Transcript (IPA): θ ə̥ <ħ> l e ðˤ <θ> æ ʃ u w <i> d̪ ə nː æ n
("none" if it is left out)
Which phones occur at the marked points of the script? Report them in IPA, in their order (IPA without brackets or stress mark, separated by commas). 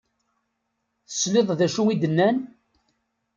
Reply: s, ð, i